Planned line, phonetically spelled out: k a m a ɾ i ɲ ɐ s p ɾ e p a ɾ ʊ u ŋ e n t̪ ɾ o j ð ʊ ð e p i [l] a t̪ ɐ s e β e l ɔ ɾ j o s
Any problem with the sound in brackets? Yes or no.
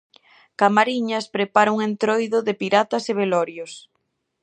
yes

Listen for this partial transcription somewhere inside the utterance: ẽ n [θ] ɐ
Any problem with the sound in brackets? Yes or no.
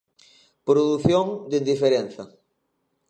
no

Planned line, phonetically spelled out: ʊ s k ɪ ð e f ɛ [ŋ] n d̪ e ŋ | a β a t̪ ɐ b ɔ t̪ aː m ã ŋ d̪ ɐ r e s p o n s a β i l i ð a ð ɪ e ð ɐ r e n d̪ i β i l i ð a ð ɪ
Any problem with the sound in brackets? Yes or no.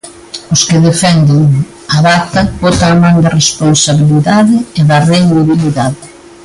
yes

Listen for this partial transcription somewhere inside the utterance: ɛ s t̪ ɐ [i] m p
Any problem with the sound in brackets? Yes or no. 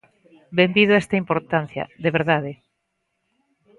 no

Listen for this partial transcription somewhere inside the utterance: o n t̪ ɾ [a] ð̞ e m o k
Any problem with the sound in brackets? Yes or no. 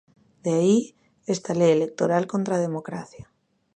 no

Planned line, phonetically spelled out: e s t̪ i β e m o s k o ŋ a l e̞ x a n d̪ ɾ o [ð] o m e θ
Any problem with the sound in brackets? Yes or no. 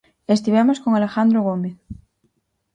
yes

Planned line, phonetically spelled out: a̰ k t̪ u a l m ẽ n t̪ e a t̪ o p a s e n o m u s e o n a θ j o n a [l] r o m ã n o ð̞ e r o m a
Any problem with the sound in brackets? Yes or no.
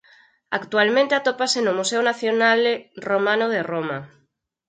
no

